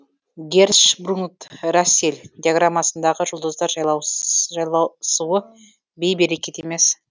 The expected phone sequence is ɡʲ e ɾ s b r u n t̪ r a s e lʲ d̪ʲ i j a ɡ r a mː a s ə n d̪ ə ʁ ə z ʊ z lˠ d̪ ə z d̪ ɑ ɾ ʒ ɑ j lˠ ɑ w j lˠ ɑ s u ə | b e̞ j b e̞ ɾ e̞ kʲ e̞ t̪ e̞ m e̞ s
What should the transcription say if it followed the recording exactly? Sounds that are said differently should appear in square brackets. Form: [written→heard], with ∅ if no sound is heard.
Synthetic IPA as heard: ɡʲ e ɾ [s→ʃ] b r u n t̪ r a s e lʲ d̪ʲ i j a ɡ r a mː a s ə n d̪ [ə→ɑ] ʁ ə [z→ʒ] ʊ [z→∅] lˠ d̪ ə z d̪ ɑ ɾ ʒ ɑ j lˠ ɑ w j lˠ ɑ s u ə | b e̞ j b e̞ ɾ e̞ kʲ e̞ t̪ e̞ m e̞ s